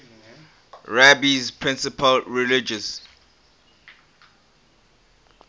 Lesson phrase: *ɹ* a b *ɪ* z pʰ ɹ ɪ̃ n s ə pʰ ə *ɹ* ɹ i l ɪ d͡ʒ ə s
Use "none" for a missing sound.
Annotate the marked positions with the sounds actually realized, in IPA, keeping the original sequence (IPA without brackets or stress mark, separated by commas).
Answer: ɹ, i, l